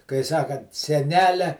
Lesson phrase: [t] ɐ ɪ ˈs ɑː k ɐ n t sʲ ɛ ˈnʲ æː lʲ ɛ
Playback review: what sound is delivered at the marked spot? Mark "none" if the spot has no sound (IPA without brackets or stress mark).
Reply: k